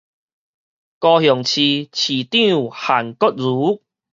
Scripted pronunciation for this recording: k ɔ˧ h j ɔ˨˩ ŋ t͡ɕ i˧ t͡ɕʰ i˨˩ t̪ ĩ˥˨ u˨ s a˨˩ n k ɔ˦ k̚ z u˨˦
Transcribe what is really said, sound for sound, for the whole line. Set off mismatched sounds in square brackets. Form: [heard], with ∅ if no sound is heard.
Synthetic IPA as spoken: k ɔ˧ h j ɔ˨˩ ŋ [t͡ɕʰ] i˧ t͡ɕʰ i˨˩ t̪ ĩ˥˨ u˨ [h] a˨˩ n k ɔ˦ [t̚] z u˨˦